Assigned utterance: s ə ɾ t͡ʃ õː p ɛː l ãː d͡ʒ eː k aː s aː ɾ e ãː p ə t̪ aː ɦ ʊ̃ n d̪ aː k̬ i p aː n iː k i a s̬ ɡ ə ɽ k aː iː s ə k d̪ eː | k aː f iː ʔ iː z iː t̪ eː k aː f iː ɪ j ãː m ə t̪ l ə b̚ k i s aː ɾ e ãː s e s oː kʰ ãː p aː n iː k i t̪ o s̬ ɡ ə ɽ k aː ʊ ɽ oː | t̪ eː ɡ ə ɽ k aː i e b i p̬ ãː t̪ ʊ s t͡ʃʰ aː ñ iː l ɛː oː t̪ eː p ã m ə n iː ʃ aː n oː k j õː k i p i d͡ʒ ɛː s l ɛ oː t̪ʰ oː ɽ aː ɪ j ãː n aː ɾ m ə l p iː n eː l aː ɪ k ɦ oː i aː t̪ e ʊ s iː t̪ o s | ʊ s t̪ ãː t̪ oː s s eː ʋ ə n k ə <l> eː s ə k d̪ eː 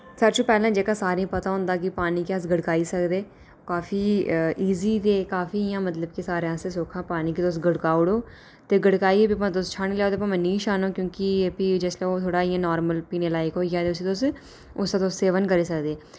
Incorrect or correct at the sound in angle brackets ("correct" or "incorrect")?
incorrect